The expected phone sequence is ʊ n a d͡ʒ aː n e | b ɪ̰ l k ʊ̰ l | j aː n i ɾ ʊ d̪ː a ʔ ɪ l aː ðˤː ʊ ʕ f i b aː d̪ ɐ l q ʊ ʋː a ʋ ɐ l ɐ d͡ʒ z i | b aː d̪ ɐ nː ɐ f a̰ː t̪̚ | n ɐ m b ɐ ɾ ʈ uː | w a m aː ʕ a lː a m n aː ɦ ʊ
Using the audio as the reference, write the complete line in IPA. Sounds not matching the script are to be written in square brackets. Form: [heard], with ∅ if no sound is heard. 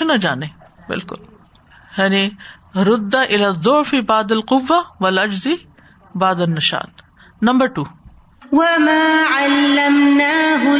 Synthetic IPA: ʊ n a d͡ʒ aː n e | b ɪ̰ l k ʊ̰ l | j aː n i ɾ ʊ d̪ː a ʔ ɪ l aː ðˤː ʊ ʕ f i b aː d̪ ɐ l q ʊ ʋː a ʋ ɐ l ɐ d͡ʒ z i | b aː d̪ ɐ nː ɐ [ʃ] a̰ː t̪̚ | n ɐ m b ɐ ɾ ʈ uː | w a m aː ʕ a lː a m n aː ɦ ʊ